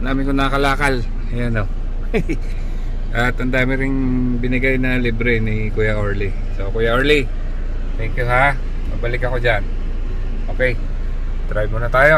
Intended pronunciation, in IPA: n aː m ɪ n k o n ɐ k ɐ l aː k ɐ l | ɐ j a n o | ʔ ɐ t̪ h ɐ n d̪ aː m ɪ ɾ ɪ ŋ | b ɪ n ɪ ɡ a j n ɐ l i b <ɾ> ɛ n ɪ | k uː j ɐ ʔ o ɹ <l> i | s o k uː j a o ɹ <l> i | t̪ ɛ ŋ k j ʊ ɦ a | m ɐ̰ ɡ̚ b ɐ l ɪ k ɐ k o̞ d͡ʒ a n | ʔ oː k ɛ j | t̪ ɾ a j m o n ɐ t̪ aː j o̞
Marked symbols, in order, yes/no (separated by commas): yes, yes, yes